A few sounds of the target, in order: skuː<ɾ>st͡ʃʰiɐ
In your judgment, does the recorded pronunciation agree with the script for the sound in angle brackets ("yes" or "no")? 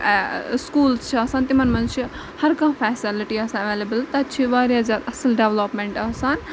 no